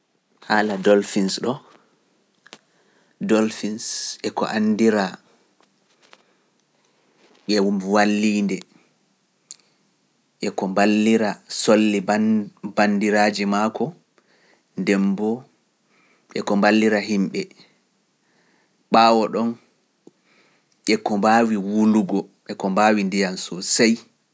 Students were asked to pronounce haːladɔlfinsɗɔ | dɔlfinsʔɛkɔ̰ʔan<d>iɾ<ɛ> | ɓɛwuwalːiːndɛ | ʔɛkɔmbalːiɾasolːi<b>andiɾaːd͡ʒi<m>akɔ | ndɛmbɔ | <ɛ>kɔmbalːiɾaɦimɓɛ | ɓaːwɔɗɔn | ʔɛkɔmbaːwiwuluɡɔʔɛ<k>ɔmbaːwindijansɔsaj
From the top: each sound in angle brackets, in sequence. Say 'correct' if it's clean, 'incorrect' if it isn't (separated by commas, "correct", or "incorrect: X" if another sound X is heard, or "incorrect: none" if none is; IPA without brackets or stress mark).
correct, incorrect: a, correct, correct, correct, correct